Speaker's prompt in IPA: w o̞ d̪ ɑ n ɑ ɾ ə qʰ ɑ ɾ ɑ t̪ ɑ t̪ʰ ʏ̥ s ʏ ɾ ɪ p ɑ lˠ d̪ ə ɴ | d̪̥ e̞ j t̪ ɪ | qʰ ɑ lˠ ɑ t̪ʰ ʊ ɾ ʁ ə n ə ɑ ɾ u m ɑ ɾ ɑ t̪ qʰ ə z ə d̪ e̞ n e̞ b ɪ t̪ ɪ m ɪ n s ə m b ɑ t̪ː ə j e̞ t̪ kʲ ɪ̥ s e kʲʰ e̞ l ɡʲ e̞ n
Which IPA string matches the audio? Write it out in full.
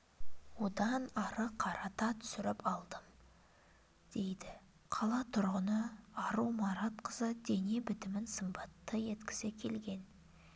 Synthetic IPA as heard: w o̞ d̪ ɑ n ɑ ɾ ə qʰ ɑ ɾ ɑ t̪ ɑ t̪ʰ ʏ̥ s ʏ ɾ ɪ p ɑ lˠ d̪ ə m | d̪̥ e̞ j d̪ ɪ | qʰ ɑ lˠ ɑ t̪ʰ ʊ ɾ ʁ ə n ə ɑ ɾ u m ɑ ɾ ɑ t̪ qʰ ə z ə d̪ e̞ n e̞ b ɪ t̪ ɪ m ɪ n s ə m b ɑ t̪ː ə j e̞ t̪ kʲ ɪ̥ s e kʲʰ e̞ l ɡʲ e̞ n